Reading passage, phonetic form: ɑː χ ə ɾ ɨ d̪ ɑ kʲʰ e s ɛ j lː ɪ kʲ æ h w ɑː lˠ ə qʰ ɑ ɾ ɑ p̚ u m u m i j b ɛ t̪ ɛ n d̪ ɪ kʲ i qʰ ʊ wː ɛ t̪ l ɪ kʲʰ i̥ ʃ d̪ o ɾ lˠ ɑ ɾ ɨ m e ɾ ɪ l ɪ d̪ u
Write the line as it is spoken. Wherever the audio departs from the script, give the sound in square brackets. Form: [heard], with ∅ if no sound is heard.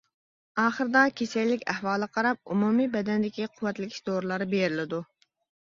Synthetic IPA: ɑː χ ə ɾ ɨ d̪ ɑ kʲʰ e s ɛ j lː ɪ kʲ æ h w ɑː lˠ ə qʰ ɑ ɾ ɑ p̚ u m u m i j b ɛ [d̪] ɛ n d̪ ɪ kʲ i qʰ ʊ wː ɛ t̪ l ɪ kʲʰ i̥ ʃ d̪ o ɾ lˠ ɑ ɾ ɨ [b] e ɾ ɪ l ɪ d̪ u